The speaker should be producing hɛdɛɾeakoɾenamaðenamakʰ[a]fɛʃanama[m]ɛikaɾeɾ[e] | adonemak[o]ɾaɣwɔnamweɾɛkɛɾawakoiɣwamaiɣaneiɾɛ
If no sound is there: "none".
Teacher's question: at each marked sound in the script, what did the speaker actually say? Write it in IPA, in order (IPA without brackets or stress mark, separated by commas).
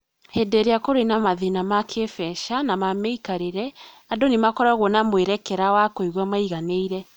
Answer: e, m, ɛ, ɔ